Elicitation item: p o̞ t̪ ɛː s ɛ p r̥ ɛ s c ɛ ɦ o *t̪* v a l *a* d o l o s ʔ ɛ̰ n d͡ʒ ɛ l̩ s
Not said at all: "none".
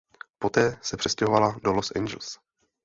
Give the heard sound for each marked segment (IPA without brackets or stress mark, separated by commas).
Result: none, a